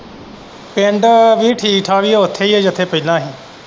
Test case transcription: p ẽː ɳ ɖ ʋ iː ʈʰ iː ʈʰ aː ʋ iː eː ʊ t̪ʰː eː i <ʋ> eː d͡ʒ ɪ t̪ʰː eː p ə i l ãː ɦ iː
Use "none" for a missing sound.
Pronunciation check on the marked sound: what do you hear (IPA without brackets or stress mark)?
none